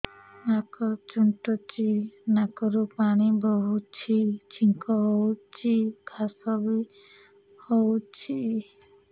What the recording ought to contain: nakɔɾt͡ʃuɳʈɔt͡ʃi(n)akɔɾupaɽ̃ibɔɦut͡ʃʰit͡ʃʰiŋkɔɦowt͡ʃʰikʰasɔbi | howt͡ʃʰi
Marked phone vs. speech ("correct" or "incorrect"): correct